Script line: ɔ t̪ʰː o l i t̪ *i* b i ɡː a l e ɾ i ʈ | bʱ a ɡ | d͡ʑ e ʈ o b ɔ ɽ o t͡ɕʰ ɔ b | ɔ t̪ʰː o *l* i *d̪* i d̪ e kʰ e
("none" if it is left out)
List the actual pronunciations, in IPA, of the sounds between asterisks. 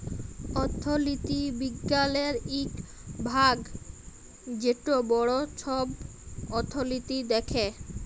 i, l, t̪

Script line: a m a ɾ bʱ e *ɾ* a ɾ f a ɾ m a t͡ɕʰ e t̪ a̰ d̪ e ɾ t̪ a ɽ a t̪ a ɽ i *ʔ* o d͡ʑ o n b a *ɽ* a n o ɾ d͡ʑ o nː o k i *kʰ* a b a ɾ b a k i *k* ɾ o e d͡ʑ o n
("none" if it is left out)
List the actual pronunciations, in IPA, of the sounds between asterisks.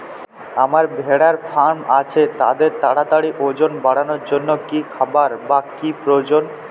ɽ, ʔ, ɽ, kʰ, p

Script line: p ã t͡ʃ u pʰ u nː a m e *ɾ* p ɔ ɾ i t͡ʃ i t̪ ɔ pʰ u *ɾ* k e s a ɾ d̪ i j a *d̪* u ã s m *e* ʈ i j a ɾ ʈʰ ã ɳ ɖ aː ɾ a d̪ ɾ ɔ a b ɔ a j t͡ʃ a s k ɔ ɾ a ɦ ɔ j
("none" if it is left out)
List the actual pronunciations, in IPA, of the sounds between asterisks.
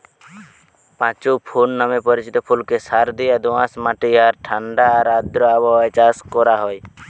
none, l, d̪, a

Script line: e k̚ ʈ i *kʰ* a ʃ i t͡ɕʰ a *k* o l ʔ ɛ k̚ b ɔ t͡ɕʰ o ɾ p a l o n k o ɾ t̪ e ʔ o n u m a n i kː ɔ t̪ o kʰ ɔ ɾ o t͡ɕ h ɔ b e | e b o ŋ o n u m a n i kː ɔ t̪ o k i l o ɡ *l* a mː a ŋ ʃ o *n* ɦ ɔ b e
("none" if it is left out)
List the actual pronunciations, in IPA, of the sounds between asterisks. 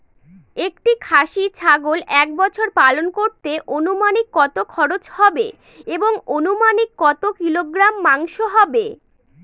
kʰ, ɡ, ɾ, none

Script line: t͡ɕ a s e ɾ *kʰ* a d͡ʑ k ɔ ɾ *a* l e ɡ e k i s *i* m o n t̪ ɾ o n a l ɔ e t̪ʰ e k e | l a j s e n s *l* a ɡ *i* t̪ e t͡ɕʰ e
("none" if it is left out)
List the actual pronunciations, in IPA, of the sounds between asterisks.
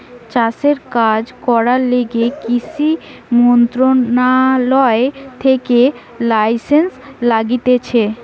k, a, i, l, i

